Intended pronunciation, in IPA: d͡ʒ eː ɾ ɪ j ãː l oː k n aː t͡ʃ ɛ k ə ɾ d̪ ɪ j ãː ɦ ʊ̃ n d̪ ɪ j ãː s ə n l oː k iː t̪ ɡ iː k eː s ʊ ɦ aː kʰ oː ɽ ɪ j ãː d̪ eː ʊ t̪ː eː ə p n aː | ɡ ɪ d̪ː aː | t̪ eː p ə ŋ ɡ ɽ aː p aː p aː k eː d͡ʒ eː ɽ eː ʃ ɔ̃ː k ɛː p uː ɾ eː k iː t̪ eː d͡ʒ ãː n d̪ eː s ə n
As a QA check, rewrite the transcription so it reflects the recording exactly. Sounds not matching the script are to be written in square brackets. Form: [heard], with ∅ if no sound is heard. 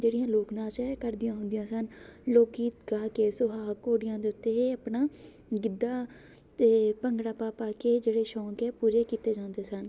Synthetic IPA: d͡ʒ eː [ɽ] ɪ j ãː l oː k n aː t͡ʃ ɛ k ə ɾ d̪ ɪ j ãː ɦ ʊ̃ n d̪ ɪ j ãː s ə n l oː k iː t̪ ɡ [aː] k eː s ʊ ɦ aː [k] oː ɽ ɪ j ãː d̪ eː ʊ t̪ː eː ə p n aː | ɡ ɪ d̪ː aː | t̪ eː p ə ŋ ɡ ɽ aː p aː p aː k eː d͡ʒ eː ɽ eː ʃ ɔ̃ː k ɛː p uː ɾ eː k iː t̪ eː d͡ʒ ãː n d̪ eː s ə n